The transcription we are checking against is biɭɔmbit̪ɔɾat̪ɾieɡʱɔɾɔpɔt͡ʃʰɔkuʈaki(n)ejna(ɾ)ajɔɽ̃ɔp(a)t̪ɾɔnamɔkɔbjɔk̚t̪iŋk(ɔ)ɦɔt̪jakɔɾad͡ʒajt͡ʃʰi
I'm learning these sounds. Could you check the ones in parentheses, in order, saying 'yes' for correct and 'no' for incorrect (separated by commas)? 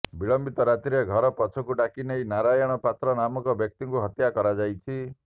yes, yes, yes, no